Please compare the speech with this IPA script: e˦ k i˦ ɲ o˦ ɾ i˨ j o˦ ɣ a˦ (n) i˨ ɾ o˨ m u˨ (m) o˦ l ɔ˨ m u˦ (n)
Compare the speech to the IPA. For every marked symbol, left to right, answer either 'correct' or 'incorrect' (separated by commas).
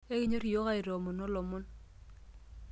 incorrect, incorrect, correct